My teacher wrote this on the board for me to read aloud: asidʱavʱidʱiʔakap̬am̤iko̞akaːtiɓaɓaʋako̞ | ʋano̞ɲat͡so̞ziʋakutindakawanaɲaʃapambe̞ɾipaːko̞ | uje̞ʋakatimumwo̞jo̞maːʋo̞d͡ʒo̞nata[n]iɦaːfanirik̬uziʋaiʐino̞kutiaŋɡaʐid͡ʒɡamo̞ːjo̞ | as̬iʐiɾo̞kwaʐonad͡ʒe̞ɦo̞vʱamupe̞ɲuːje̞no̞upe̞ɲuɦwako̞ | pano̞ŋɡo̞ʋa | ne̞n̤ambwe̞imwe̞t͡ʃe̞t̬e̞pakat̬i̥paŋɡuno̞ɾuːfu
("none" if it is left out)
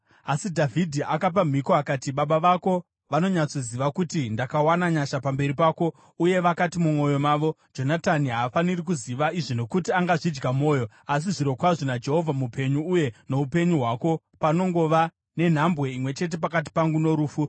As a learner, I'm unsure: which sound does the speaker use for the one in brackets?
n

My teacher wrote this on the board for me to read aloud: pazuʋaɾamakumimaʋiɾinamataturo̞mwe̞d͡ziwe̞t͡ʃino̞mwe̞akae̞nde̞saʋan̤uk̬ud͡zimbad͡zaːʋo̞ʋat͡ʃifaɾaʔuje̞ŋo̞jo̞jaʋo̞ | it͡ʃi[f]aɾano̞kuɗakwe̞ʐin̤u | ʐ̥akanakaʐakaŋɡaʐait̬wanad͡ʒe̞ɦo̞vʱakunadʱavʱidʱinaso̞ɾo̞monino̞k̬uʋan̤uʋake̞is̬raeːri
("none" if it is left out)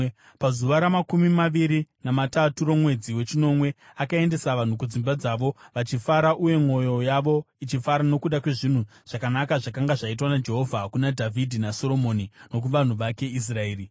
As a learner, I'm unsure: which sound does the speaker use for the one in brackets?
f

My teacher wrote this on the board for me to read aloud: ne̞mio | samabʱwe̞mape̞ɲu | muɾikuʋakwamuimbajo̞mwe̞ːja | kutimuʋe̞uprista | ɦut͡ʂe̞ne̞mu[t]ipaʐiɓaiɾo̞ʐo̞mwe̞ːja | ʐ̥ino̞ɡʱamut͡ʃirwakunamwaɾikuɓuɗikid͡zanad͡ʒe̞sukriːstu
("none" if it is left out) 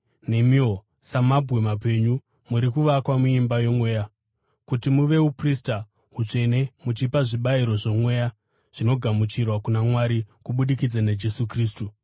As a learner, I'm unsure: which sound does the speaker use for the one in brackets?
t͡ʃ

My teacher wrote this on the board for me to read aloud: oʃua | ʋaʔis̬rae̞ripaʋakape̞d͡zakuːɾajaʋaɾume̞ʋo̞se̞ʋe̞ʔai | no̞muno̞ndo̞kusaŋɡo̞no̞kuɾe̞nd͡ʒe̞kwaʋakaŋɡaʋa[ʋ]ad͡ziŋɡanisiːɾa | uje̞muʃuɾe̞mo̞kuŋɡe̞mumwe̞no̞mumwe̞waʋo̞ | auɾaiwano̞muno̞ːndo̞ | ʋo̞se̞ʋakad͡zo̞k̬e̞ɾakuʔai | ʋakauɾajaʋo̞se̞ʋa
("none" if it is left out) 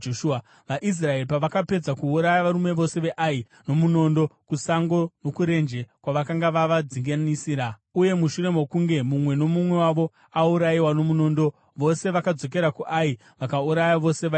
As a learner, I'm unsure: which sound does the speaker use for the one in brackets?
ʋ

